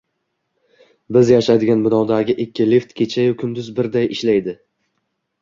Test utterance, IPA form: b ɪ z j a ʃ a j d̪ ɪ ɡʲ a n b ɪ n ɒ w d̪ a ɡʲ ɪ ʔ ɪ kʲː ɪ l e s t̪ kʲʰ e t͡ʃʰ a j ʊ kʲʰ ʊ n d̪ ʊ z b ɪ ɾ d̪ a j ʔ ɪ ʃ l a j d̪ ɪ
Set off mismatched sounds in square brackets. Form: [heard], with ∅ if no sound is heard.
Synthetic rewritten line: b ɪ z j a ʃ a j d̪ ɪ ɡʲ a n b ɪ n ɒ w d̪ a ɡʲ ɪ ʔ ɪ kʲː ɪ l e [f] t̪ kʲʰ e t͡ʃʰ a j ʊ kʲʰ ʊ n d̪ ʊ z b ɪ ɾ d̪ a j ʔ ɪ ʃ l a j d̪ ɪ